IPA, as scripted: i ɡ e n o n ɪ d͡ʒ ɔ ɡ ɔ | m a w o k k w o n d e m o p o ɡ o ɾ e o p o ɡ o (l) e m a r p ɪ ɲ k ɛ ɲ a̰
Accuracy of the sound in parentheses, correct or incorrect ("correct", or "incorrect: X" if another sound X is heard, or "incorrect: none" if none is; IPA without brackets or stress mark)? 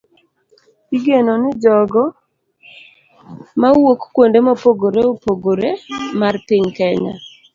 incorrect: ɾ